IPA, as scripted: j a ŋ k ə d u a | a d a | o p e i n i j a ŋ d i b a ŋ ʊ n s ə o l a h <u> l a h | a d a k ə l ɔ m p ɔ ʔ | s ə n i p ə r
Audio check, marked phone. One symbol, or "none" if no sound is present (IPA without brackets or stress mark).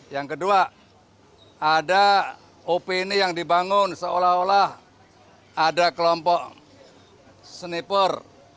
o